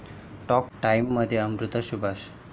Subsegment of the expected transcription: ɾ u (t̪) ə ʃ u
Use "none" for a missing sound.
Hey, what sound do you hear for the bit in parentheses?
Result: t̪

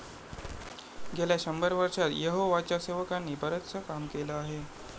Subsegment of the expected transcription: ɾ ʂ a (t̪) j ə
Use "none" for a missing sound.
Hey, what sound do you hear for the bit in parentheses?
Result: t̪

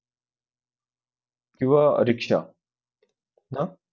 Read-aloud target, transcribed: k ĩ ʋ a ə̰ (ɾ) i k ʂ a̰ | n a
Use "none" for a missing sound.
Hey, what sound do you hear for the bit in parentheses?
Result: ɾ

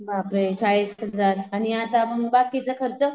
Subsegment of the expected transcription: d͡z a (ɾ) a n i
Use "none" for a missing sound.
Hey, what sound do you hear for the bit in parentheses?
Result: ɾ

